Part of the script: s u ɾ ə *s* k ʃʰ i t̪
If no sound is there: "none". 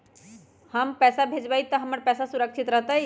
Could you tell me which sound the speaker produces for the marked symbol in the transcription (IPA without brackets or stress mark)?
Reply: none